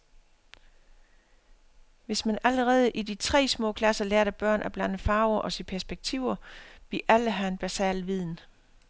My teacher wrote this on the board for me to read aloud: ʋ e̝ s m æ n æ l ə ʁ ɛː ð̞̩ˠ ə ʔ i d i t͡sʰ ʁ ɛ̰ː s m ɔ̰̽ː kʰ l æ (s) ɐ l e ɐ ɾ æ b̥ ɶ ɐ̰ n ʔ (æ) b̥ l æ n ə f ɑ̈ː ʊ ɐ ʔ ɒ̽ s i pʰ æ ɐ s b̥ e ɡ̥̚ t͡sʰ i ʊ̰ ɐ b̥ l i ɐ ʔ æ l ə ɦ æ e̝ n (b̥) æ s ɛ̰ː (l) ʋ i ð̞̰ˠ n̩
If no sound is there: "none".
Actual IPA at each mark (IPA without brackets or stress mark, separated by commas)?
s, æ, b̥, l